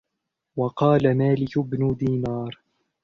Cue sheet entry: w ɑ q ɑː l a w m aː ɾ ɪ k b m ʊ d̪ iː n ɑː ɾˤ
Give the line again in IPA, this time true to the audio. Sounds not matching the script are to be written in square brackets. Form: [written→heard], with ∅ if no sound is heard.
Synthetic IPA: w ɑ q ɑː l a [w→∅] m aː [ɾ→l] ɪ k b [m→n] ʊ d̪ iː n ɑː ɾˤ